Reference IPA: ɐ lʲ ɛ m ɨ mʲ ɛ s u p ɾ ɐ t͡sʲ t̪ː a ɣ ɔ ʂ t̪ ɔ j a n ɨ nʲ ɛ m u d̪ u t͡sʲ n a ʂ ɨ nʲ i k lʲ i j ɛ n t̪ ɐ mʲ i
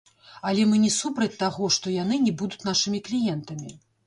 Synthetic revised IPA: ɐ lʲ ɛ m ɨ nʲ ɛ s u p ɾ ɐ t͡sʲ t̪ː a ɣ ɔ ʂ t̪ ɔ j a n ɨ nʲ ɛ b u d̪ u t͡sʲ n a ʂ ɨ mʲ i k lʲ i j ɛ n t̪ ɐ mʲ i